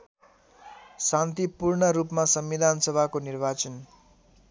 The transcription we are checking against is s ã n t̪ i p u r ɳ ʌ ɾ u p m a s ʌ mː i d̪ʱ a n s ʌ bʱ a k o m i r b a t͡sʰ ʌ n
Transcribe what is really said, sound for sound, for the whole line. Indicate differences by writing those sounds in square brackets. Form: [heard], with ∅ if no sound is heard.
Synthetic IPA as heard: s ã n t̪ i p u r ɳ ʌ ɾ u p m a s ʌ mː i d̪ʱ a n s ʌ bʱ a k o [n] i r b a [t͡s] ʌ n

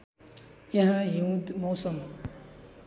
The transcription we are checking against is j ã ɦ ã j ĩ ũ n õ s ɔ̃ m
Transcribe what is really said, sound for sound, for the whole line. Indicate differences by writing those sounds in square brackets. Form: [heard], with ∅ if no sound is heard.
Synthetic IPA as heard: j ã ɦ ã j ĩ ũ [m] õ s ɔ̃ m

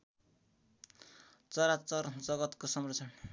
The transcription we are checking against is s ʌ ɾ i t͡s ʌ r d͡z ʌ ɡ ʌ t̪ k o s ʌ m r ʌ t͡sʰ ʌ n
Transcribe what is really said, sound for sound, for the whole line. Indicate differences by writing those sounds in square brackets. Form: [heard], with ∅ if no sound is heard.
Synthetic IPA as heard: [t͡s] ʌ ɾ [a] t͡s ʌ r d͡z ʌ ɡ ʌ t̪ k o s ʌ m r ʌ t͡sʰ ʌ n

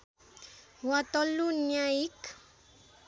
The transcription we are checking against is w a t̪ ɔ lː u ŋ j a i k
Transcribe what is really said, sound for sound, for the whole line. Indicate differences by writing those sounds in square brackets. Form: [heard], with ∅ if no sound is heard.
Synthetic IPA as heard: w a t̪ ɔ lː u [n] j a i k

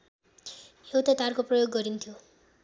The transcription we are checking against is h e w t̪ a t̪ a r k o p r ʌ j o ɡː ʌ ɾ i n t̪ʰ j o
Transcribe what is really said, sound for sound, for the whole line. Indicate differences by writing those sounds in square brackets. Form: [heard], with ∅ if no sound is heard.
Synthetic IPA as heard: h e w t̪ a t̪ a r k o p r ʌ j o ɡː ʌ ɾ i n t̪ʰ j o

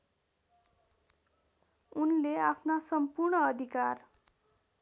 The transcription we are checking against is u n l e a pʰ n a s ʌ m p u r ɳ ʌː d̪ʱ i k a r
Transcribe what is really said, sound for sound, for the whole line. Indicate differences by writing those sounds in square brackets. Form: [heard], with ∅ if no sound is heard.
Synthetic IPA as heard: u n l e a pʰ n a s ʌ m p u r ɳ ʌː d̪ʱ i k a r

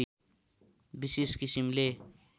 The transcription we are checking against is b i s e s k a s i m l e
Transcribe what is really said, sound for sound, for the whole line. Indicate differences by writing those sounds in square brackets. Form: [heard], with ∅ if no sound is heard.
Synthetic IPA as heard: b i s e s k [i] s i m l e

